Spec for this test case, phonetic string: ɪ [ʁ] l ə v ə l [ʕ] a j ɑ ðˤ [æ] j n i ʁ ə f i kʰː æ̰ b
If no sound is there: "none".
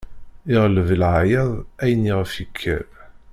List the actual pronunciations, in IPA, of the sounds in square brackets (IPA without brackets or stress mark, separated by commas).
ʁ, ʕ, æ